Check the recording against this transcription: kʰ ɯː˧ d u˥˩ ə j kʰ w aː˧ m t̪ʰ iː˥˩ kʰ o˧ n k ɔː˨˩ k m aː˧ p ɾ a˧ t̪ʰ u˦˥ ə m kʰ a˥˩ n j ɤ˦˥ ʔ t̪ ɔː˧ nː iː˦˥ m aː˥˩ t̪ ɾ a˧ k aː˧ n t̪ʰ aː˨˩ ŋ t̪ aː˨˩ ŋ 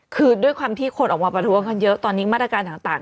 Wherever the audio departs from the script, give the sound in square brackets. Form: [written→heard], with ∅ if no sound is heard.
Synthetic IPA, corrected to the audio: kʰ ɯː˧ d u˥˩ ə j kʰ w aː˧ m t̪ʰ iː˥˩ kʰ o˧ n [k→ʔ] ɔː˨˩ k m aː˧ p ɾ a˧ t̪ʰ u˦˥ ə [m→ŋ] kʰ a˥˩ n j ɤ˦˥ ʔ t̪ ɔː˧ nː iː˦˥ m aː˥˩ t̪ ɾ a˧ k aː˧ n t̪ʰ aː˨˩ ŋ t̪ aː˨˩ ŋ

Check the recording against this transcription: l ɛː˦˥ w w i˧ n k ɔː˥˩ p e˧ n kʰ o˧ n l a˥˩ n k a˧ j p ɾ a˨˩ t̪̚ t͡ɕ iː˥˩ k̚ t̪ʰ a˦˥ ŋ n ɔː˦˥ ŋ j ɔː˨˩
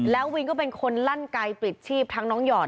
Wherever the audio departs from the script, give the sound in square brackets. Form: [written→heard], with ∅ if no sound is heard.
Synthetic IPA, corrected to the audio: l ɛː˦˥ w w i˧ n k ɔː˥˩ p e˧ n kʰ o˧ n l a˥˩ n k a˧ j p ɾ [a˨˩→i˨˩] t̪̚ [t͡ɕ→t͡ɕʰ] iː˥˩ [k̚→p̚] t̪ʰ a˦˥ ŋ n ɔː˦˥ ŋ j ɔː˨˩

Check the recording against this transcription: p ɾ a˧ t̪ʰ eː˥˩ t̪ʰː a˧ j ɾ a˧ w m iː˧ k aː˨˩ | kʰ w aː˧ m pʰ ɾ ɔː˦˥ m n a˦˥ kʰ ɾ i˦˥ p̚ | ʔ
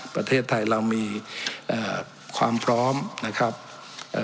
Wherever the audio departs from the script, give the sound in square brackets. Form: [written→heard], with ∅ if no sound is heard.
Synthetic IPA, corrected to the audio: p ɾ a˧ t̪ʰ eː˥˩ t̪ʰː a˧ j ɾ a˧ w m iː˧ [k→ʔ] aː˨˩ | kʰ w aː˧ m pʰ ɾ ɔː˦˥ m n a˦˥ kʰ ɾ [i˦˥→a˦˥] p̚ | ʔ

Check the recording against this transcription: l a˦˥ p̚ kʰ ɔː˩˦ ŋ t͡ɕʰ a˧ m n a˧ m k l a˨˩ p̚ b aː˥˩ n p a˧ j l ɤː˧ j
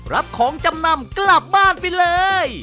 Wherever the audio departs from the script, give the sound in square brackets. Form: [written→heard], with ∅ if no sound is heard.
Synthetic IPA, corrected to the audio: [l→ɾ] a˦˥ p̚ kʰ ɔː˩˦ ŋ [t͡ɕʰ→t͡ɕ] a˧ m n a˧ m k l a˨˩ p̚ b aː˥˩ n p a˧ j l ɤː˧ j

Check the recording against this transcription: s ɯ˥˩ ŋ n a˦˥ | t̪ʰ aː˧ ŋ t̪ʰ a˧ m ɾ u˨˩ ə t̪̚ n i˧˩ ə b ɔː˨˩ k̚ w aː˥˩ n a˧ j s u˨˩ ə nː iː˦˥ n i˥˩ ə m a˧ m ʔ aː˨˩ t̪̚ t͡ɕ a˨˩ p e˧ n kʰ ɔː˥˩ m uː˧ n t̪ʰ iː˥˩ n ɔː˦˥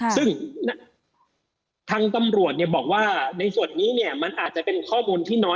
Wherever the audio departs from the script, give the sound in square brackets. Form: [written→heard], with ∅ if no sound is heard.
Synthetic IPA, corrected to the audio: s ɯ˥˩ ŋ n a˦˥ | t̪ʰ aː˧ ŋ [t̪ʰ→t̪] a˧ m ɾ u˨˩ ə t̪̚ n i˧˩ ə b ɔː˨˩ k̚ w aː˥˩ n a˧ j s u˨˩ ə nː iː˦˥ n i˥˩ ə m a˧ [m→n] ʔ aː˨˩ t̪̚ t͡ɕ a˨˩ p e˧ n kʰ ɔː˥˩ m uː˧ n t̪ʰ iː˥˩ n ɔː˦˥

